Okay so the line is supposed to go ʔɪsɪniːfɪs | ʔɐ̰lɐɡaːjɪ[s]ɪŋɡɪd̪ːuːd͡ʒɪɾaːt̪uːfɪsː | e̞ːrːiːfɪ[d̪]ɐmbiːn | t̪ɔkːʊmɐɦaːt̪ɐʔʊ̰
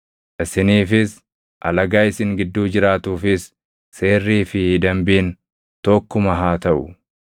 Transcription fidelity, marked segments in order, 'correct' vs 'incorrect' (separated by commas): correct, correct